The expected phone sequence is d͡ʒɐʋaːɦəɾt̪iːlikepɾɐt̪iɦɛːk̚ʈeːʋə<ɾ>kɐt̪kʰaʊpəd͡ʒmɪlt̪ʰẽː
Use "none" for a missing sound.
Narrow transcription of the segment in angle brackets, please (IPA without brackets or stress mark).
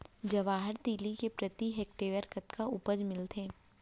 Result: ɾ